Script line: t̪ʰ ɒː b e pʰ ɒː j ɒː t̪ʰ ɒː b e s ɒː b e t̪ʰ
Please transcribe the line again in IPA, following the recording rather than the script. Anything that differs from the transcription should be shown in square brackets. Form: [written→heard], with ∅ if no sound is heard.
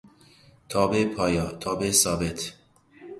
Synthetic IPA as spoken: t̪ʰ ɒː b e pʰ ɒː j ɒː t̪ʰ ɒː b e s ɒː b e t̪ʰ